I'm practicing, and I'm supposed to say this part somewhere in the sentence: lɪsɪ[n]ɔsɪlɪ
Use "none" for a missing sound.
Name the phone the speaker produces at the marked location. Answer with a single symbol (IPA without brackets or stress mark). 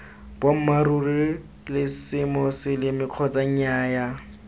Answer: m